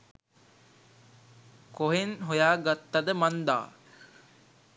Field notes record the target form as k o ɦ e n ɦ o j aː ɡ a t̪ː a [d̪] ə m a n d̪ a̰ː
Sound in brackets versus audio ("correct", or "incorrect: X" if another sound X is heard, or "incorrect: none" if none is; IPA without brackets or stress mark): correct